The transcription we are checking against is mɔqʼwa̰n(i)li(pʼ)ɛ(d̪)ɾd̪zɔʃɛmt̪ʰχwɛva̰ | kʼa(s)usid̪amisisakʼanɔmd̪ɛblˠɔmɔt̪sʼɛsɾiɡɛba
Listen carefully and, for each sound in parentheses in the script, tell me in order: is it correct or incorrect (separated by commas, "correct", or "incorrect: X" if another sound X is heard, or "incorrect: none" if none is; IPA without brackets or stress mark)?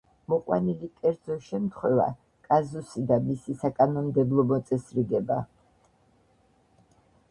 correct, incorrect: kʼ, incorrect: none, incorrect: z